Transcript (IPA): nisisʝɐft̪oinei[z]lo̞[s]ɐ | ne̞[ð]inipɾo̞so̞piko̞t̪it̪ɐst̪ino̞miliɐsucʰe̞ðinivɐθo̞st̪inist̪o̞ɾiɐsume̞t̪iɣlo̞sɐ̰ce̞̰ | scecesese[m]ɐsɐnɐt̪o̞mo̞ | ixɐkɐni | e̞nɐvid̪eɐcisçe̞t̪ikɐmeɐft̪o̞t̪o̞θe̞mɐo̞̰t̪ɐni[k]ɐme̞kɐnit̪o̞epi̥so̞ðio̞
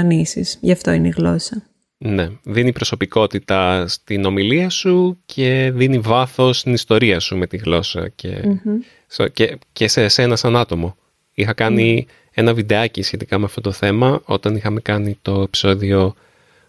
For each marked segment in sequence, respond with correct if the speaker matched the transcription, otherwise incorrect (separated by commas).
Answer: incorrect, correct, correct, incorrect, incorrect